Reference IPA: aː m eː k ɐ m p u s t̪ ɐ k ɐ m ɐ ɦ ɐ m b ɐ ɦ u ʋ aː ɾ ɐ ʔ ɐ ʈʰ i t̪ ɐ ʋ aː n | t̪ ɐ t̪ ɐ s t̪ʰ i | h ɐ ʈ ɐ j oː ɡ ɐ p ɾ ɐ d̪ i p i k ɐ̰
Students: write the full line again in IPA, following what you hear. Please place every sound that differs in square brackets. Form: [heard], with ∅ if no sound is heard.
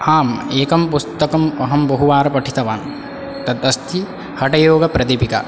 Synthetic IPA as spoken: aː m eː k ɐ m p u s t̪ ɐ k ɐ m ɐ ɦ ɐ m b ɐ ɦ u ʋ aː ɾ ɐ [p] ɐ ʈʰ i t̪ ɐ ʋ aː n | t̪ ɐ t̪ ɐ s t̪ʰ i | h ɐ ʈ ɐ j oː ɡ ɐ p ɾ ɐ d̪ i p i k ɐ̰